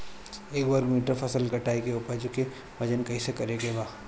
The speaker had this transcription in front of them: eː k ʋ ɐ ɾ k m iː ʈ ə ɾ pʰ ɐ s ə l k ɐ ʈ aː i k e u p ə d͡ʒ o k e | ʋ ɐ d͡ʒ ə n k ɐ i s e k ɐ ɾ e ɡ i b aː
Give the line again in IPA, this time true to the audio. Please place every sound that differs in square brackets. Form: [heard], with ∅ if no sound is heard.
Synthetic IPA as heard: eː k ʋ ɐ ɾ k m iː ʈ ə ɾ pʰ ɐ s ə l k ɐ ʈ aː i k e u p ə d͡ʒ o k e | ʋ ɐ d͡ʒ ə n k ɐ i s e k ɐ ɾ e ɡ [e] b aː